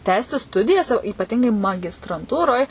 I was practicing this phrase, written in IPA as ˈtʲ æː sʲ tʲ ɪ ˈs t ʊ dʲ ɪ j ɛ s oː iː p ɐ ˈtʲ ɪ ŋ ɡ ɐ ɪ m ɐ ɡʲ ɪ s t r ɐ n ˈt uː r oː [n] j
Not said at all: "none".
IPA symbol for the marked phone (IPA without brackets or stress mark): none